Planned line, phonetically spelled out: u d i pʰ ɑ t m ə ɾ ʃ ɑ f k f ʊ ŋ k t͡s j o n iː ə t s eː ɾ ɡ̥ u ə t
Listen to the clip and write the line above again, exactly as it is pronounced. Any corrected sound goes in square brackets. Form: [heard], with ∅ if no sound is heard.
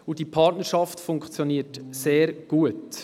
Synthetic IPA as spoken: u d i pʰ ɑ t [n] ə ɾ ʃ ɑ f [t] f ʊ ŋ k t͡s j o n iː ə t s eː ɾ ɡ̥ u ə t